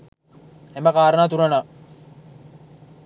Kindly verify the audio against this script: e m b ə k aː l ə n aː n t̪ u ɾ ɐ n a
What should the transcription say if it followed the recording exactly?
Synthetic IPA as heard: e m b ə k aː ɾ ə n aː t̪ u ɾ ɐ n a